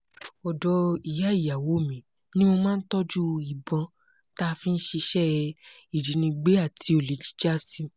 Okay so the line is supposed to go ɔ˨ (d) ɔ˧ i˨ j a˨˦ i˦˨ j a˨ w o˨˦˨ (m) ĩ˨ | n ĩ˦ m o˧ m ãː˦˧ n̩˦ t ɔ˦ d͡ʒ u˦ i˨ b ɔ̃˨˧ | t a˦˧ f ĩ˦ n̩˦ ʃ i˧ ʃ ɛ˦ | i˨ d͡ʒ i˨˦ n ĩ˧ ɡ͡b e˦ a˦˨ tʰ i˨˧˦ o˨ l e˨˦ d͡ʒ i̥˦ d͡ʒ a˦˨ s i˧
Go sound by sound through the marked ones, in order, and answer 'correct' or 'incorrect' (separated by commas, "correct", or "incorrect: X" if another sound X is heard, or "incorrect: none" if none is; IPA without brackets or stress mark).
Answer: correct, correct